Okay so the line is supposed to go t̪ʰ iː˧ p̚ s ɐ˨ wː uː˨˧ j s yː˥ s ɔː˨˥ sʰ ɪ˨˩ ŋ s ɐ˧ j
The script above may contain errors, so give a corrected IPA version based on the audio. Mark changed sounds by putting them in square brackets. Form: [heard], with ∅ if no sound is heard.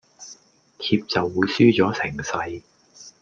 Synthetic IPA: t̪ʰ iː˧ p̚ [t͡s] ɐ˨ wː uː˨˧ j s yː˥ [t͡s] ɔː˨˥ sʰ ɪ˨˩ ŋ s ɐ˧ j